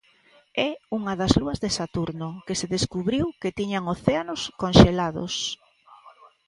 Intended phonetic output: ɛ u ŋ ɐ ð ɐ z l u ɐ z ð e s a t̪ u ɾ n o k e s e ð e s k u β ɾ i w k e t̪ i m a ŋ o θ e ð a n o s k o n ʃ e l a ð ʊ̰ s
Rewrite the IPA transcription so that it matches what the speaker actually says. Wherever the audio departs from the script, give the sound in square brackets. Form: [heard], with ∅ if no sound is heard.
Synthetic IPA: ɛ u ŋ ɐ ð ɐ z l u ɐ z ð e s a t̪ u ɾ n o k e s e ð e s k u β ɾ i w k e t̪ i [ɲ] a ŋ o θ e [∅] a n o s k o n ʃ e l a ð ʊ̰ s